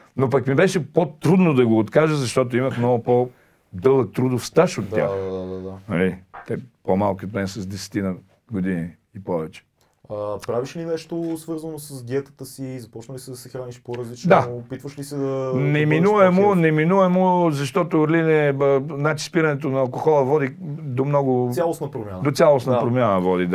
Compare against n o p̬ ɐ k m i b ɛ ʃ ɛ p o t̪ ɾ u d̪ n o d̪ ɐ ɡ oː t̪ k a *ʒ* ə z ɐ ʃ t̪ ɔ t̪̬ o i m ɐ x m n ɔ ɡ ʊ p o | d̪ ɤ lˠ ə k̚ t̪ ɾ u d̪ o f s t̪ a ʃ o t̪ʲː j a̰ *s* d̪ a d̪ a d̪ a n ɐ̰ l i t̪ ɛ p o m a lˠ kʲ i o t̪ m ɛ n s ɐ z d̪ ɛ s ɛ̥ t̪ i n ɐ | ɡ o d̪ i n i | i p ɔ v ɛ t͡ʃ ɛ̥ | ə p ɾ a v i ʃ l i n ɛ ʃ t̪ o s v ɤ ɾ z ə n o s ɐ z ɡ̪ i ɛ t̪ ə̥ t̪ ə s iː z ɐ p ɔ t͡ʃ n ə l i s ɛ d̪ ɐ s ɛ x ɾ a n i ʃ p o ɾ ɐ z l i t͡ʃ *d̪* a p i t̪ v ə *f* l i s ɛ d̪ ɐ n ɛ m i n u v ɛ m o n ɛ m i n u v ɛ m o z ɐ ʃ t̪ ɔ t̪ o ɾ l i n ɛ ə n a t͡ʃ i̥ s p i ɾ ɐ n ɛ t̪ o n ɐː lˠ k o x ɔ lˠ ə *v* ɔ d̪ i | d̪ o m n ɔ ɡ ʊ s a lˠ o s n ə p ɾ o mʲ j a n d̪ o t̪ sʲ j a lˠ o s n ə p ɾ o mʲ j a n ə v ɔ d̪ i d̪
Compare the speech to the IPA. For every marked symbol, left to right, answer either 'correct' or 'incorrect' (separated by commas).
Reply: correct, incorrect, correct, incorrect, correct